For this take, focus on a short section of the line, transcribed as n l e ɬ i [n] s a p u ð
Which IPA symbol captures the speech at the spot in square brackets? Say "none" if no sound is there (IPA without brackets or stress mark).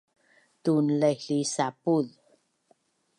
none